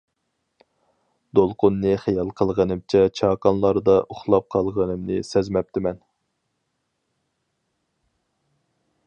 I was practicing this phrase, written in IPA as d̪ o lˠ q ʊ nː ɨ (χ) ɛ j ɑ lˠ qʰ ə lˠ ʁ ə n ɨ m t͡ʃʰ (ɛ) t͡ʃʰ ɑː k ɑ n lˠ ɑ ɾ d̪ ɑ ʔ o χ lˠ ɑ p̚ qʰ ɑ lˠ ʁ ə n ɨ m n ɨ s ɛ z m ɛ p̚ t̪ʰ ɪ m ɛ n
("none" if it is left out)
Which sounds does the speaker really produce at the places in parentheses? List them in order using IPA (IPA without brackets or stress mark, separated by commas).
χ, ɛ